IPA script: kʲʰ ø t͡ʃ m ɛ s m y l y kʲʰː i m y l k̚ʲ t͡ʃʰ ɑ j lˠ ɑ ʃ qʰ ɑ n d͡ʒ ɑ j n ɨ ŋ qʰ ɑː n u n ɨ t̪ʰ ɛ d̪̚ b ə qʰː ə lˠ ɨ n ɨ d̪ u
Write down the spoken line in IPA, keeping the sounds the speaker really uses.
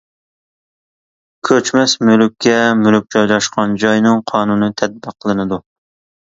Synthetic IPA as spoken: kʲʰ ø t͡ʃ m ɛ s m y l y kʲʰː ɛ m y l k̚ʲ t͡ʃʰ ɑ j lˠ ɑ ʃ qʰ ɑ n d͡ʒ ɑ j n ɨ ŋ qʰ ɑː n u n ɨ t̪ʰ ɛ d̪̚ b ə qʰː ə lˠ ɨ n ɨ d̪ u

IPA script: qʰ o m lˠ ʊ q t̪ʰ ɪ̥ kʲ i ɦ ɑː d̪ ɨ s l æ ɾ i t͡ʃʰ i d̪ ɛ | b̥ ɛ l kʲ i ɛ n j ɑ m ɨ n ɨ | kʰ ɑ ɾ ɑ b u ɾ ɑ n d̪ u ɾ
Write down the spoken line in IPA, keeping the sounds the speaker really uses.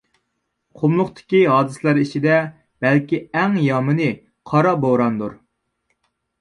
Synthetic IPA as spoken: qʰ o m lˠ ʊ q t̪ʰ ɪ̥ kʲ i ɦ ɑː d̪ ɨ s l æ ɾ i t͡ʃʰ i d̪ ɛ | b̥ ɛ l kʲ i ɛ ŋ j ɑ m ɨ n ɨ | qʰ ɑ ɾ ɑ b o ɾ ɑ n d̪ u ɾ

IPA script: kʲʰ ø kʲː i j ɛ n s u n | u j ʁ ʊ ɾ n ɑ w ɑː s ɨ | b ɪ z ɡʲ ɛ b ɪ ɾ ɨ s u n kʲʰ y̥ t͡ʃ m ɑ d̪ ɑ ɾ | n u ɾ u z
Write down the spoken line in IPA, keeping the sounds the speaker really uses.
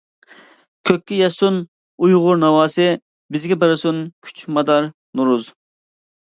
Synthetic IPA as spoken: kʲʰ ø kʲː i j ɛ s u n | u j ʁ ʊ ɾ n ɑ w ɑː s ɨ | b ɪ z ɡʲ ɛ b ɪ ɾ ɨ s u n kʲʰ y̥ t͡ʃ m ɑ d̪ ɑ ɾ | n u ɾ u z

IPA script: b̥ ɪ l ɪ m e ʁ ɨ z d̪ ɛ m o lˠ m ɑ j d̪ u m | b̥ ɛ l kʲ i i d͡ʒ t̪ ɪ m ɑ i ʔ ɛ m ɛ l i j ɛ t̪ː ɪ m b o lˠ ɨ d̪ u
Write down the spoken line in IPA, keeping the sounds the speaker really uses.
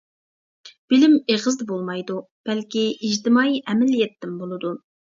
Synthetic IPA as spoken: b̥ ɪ l ɪ m e ʁ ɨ z d̪ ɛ b o lˠ m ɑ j d̪ u | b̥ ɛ l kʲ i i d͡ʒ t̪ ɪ m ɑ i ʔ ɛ m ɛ l i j ɛ t̪ː ɪ m b o lˠ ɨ d̪ u

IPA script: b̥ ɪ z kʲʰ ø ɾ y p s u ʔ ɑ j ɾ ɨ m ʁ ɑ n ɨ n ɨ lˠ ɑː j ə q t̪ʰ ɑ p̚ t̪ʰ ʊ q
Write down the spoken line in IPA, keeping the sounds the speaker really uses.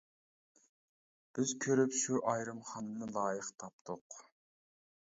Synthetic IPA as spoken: b̥ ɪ z kʲʰ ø ɾ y p ʃ u ʔ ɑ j ɾ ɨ m χ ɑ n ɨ n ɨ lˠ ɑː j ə q t̪ʰ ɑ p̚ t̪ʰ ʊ q

